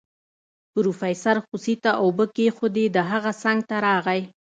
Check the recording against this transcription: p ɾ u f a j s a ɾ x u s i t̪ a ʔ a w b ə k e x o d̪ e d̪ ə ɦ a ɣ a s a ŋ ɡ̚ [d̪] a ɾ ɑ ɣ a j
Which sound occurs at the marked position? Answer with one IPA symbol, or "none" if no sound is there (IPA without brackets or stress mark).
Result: t̪